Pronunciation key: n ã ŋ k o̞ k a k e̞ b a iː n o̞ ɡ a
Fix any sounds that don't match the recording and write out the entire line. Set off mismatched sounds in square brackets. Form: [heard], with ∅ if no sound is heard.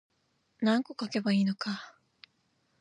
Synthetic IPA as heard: n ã ŋ k o̞ k a k e̞ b a iː n o̞ [k] a